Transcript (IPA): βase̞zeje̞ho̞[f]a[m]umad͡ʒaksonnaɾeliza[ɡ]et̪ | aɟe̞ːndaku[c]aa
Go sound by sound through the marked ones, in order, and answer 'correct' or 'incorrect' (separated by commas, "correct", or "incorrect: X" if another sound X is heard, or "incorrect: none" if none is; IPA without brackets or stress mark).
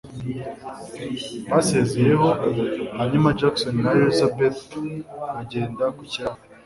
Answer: incorrect: h, incorrect: ɲ, incorrect: b, correct